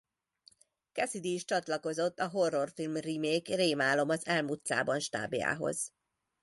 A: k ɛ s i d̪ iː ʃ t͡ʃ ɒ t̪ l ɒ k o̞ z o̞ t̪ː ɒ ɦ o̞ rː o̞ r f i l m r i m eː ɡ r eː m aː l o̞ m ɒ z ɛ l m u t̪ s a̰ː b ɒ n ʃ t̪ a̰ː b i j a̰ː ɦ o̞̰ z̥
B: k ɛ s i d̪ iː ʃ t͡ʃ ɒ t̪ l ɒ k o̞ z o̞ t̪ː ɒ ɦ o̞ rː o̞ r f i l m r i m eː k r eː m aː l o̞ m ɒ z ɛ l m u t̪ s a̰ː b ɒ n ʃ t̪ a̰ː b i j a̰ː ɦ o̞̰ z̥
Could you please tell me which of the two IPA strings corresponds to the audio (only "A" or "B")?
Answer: B